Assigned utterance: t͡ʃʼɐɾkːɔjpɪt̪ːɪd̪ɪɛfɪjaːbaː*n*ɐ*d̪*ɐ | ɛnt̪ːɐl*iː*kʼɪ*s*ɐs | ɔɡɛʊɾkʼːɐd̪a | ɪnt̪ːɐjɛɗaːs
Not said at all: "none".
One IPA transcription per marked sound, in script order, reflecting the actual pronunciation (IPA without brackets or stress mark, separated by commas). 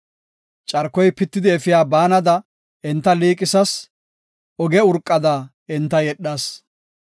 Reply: n, d̪, iː, s